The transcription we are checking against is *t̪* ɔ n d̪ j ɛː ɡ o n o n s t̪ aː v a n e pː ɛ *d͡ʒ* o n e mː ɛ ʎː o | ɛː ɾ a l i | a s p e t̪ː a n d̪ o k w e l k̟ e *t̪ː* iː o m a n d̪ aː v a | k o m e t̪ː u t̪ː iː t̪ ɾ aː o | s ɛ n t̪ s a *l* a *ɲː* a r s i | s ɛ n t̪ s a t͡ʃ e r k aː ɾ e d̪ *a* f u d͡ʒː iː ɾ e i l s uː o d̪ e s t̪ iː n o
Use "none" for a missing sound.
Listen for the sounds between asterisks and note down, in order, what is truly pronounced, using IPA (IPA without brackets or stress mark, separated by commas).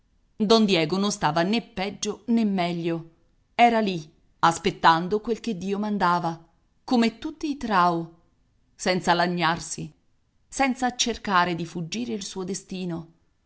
d̪, d͡ʒː, d̪ː, l, ɲː, i